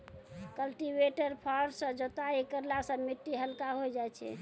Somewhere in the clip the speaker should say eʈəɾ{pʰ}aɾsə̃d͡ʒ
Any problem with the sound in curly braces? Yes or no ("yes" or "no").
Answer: no